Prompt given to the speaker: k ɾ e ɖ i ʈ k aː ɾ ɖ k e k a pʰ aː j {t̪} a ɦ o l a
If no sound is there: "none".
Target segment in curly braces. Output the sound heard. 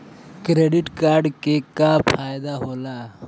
d̪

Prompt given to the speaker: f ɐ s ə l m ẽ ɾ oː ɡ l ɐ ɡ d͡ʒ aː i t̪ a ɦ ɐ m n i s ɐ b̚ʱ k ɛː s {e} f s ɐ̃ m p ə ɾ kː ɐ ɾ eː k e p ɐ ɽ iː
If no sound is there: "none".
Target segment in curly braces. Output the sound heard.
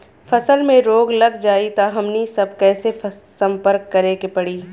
e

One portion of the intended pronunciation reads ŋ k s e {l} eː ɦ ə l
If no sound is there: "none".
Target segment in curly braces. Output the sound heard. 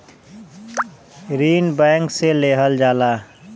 l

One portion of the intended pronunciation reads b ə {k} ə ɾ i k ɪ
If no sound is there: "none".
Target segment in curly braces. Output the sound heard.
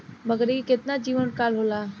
ɡ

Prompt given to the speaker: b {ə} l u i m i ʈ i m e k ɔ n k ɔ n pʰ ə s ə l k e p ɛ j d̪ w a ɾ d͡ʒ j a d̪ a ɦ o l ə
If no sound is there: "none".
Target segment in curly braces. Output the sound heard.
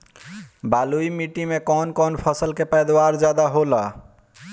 a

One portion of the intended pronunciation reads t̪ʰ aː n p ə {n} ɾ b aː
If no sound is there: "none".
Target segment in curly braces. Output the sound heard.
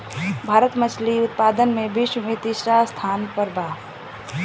none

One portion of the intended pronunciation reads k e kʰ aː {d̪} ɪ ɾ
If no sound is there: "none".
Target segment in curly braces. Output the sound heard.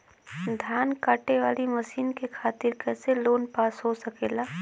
t̪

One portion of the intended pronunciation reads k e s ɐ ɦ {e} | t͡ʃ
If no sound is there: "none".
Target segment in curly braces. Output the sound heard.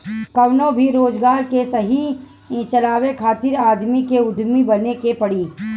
i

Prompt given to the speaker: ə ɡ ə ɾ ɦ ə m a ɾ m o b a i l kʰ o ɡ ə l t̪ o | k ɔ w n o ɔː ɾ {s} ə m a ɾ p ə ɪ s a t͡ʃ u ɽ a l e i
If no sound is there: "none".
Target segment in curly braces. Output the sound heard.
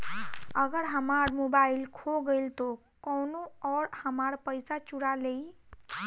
h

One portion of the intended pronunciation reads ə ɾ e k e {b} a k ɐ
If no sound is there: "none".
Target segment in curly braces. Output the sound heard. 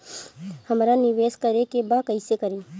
b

